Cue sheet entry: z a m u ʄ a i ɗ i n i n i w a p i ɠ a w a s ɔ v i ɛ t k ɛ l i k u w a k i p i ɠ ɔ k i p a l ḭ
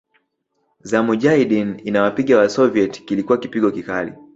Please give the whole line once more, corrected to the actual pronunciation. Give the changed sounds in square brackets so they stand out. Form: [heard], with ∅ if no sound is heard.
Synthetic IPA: z a m u ʄ a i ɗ i n i n [a] w a p i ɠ a w a s ɔ v i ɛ t k [i] l i k u w a k i p i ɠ ɔ k i [k] a l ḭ